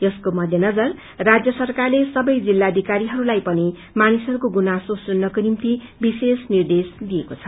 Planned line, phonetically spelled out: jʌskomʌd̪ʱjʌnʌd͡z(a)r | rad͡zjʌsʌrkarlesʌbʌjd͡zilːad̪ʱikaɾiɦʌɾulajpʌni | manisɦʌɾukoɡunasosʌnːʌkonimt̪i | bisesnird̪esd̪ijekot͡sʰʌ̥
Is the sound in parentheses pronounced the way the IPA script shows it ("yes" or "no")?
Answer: no